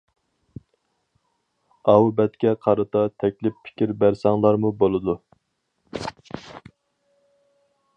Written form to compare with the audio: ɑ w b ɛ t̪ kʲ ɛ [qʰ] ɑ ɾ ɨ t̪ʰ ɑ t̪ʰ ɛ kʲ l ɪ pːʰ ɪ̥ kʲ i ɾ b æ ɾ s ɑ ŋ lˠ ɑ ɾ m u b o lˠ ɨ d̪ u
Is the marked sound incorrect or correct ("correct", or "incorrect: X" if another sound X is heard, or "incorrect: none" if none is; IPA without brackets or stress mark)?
correct